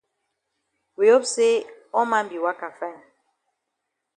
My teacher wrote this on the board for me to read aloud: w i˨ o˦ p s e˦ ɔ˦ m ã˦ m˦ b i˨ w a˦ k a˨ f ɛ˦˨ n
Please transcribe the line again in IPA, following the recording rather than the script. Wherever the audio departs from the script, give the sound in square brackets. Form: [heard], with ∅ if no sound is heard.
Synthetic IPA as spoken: w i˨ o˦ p s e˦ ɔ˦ m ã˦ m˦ b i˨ w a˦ k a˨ f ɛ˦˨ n